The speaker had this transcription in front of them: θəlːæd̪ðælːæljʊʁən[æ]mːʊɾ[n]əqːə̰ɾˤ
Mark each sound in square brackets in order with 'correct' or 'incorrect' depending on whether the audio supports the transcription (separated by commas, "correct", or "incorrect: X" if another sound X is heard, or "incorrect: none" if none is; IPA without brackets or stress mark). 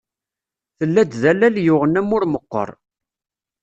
correct, incorrect: m